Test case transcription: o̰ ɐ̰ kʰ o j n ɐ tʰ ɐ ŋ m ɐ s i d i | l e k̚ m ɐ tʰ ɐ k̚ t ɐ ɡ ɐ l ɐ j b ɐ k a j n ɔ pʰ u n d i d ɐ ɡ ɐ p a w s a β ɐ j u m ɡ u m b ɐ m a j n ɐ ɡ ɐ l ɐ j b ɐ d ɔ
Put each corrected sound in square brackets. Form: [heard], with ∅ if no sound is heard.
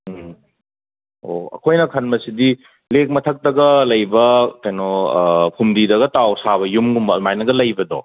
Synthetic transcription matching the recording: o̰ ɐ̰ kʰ o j n ɐ [kʰ] ɐ [n] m ɐ s i d i | l e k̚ m ɐ tʰ ɐ k̚ t ɐ ɡ ɐ l ɐ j b ɐ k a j n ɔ pʰ u [m] d i d ɐ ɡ ɐ [t] a w s a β ɐ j u m ɡ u m b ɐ m a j n ɐ ɡ ɐ l ɐ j b ɐ d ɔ